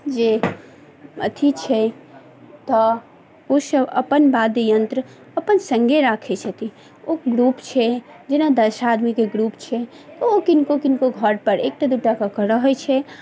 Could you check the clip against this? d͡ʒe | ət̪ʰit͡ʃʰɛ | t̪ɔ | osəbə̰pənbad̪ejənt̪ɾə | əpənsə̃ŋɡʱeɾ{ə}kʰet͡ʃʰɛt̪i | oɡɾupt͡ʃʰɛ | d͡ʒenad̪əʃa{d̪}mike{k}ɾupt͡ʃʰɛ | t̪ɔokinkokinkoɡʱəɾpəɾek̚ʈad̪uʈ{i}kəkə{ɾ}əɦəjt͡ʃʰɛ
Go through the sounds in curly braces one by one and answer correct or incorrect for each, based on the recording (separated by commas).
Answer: incorrect, correct, incorrect, incorrect, correct